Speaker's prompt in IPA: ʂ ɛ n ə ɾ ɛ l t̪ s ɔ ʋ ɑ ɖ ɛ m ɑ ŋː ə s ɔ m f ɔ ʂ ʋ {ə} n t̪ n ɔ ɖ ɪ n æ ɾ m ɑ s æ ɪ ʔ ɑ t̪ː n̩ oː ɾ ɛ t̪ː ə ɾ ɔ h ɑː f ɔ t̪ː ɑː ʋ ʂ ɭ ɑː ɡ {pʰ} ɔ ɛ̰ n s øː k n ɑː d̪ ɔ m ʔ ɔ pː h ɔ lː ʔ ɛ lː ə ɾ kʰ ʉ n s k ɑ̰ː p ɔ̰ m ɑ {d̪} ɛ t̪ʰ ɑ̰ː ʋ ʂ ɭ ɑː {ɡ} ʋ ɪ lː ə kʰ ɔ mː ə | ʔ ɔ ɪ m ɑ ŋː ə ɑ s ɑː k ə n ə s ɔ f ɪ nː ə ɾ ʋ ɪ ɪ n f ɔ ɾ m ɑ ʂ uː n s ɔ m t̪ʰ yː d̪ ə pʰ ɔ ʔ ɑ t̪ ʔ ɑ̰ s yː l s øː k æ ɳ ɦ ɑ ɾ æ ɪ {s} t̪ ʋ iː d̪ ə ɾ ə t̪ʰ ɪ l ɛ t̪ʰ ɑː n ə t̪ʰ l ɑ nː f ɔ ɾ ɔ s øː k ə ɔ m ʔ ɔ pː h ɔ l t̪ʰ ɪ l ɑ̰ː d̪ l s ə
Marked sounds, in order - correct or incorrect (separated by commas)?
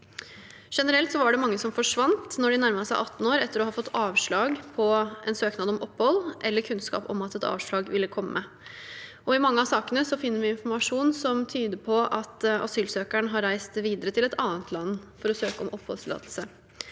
incorrect, correct, incorrect, correct, correct